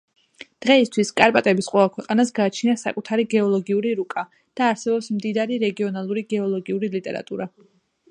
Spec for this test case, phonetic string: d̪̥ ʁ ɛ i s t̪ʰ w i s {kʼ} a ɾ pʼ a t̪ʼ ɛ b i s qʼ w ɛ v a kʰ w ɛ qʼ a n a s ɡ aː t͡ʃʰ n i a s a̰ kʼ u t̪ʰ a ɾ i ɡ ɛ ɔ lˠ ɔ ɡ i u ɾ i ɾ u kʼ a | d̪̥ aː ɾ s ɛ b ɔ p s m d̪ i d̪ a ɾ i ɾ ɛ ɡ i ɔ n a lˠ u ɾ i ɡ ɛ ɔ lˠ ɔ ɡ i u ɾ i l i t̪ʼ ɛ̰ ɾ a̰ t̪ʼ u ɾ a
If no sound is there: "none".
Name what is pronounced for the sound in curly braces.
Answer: kʼ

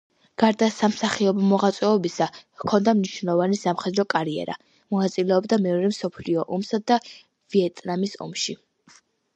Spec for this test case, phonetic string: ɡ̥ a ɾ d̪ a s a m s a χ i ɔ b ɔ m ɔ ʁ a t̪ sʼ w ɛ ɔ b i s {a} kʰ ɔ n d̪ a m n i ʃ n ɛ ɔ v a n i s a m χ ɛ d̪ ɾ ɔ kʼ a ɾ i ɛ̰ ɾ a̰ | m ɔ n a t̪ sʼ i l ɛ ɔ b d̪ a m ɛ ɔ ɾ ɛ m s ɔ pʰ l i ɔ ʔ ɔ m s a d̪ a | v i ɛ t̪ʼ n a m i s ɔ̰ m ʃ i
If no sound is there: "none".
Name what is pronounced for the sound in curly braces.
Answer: a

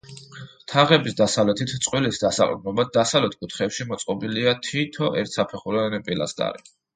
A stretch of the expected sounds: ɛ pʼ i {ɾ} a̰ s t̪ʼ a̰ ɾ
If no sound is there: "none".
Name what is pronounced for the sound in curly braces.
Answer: l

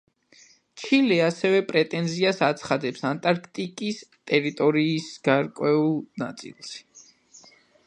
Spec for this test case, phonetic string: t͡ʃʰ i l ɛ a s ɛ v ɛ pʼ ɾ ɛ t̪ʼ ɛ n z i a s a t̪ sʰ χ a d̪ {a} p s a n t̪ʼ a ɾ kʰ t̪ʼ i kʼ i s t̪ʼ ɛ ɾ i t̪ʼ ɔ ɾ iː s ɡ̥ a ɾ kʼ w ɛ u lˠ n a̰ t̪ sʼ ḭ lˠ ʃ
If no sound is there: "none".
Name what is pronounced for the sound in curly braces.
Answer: ɛ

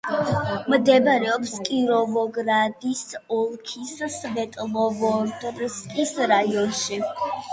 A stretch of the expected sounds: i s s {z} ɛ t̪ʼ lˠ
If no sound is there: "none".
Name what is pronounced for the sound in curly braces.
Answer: v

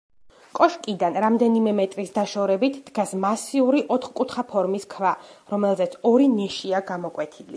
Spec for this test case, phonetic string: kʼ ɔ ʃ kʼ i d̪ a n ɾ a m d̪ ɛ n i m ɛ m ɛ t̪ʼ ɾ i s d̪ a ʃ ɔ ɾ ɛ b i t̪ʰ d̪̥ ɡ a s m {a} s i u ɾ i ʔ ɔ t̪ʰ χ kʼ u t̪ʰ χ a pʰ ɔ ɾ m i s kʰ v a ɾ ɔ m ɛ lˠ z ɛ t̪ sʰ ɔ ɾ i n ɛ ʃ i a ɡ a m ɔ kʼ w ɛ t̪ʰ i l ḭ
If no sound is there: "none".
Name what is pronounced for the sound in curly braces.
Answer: a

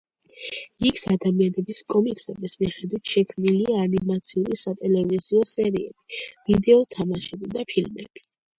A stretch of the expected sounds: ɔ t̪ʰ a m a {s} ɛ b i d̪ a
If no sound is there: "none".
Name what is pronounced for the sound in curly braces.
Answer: ʃ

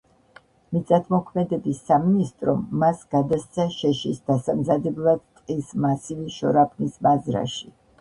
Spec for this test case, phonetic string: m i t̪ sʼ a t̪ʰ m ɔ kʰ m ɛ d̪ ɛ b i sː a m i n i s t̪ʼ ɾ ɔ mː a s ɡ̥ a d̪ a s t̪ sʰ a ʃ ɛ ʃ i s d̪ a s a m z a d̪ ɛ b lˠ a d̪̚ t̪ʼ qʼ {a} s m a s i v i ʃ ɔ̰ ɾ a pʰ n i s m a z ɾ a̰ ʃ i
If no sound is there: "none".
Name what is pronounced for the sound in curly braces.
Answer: i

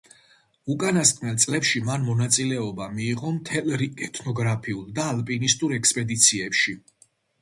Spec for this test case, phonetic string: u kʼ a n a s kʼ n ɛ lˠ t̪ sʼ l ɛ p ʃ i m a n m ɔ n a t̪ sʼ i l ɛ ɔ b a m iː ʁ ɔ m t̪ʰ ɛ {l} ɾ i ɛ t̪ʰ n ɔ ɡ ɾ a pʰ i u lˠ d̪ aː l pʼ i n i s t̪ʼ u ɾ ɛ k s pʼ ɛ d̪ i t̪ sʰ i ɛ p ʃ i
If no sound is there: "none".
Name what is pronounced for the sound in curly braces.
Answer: l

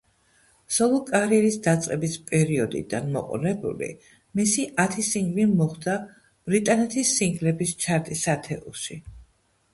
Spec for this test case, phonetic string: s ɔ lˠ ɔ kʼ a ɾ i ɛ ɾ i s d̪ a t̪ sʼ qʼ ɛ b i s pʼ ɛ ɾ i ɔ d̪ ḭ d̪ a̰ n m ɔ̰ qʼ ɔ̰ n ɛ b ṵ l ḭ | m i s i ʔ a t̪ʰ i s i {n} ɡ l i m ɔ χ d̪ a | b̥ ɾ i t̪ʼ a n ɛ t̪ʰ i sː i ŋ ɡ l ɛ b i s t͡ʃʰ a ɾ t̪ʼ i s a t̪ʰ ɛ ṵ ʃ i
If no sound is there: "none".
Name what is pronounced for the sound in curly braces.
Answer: ŋ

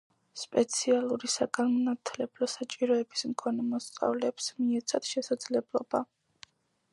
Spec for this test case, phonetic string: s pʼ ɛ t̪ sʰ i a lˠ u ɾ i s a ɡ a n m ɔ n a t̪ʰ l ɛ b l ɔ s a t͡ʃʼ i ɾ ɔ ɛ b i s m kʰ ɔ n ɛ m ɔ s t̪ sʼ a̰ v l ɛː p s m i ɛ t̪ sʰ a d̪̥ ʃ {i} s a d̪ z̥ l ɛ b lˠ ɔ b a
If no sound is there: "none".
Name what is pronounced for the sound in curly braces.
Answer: ɛ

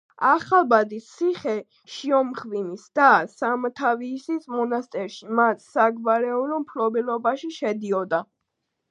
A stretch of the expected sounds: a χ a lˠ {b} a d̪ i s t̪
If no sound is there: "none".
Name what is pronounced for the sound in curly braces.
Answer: b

